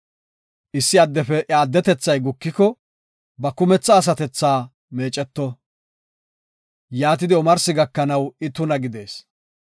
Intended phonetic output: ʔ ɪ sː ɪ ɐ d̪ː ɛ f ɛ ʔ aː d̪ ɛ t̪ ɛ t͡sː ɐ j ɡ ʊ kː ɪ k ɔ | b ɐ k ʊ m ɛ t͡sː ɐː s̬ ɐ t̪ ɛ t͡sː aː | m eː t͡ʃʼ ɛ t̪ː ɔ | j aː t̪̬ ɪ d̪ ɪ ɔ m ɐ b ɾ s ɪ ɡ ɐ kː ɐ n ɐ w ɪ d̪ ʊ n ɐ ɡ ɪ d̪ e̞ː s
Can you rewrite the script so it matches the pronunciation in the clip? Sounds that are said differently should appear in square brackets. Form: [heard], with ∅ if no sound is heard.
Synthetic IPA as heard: ʔ ɪ sː ɪ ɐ d̪ː ɛ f ɛ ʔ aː [d̪ː] ɛ t̪ ɛ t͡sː ɐ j ɡ ʊ kː ɪ k ɔ | b ɐ k ʊ m ɛ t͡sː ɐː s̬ ɐ t̪ ɛ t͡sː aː | m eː t͡ʃʼ ɛ t̪ː ɔ | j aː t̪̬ ɪ d̪ ɪ ɔ m ɐ [∅] ɾ s ɪ ɡ ɐ kː ɐ n ɐ w ɪ [t̪] ʊ n ɐ ɡ ɪ d̪ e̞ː s